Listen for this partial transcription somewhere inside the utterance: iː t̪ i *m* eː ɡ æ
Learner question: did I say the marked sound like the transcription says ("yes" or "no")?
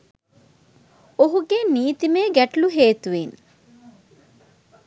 yes